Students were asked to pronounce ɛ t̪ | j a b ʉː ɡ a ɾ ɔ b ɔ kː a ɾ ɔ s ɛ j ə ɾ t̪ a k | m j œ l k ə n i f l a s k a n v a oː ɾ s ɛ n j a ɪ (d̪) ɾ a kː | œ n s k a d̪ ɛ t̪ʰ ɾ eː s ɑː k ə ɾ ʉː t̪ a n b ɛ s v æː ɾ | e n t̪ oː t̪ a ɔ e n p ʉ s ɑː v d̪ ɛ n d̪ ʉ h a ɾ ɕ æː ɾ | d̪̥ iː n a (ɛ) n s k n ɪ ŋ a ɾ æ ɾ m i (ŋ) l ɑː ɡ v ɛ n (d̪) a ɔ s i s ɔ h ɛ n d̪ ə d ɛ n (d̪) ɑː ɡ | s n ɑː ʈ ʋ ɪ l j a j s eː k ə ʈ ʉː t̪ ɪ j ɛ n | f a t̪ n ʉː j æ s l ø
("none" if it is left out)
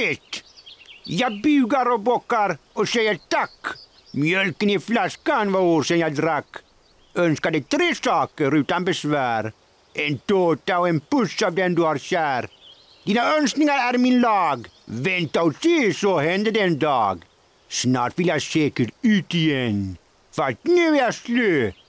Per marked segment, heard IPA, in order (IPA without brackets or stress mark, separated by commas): d̪, œ, n, t̪, d̪